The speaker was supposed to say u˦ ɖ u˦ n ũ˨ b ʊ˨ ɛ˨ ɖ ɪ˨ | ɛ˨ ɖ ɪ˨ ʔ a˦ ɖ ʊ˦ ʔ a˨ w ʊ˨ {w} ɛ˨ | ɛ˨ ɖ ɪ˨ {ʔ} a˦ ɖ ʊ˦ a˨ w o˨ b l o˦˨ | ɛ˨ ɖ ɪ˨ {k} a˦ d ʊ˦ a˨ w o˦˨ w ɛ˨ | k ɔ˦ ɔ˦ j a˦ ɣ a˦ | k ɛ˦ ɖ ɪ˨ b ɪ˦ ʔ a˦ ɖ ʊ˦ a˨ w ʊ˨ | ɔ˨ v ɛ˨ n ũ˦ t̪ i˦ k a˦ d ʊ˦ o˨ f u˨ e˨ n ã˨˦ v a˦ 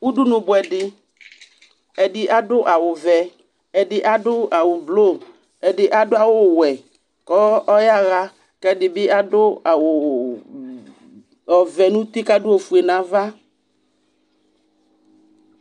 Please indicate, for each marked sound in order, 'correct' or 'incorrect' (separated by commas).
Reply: incorrect, correct, incorrect